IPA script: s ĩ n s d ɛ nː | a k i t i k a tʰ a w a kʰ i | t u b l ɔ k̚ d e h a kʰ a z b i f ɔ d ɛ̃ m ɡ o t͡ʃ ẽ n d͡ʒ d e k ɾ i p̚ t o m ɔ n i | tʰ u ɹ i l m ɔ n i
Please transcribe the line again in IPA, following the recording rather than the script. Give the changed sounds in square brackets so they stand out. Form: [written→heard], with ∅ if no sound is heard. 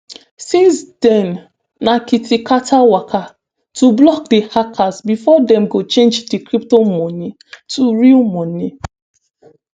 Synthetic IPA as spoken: s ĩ n s d ɛ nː | a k i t i k a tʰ a w a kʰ [i→a] | t u b l ɔ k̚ d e h a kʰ a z b i f ɔ d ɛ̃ m ɡ o t͡ʃ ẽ n d͡ʒ d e k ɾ i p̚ t o m ɔ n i | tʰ u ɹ i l m ɔ n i